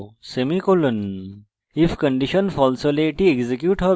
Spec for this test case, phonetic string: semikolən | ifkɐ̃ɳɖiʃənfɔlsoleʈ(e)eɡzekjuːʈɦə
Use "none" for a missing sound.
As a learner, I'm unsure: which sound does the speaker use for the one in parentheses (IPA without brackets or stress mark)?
i